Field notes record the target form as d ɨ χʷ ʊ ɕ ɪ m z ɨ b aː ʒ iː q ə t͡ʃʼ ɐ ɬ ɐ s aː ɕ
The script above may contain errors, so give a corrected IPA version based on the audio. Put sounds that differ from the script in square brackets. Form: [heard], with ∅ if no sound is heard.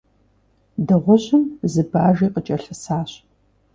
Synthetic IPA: d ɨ [ʁʷ] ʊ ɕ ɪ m z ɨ b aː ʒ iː q ə t͡ʃʼ ɐ ɬ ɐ s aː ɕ